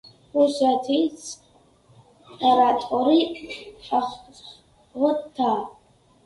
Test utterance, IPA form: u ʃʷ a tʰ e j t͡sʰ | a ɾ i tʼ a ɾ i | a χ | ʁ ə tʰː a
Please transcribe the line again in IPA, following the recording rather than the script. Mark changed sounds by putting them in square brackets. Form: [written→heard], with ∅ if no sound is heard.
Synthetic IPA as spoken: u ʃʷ a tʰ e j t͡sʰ | a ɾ [i→a] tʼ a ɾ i | a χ | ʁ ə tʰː a